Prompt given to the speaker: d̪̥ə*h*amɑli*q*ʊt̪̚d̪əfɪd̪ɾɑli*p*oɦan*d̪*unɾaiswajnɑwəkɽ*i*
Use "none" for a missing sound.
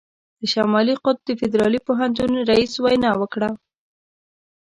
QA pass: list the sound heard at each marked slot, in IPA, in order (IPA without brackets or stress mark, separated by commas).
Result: ʃ, q, p, t̪, a